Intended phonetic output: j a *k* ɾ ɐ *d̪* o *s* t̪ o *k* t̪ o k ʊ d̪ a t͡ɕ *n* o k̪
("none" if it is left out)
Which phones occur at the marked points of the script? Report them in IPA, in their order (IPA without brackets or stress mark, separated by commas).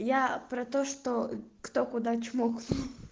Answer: p, t̪, ʂ, k, m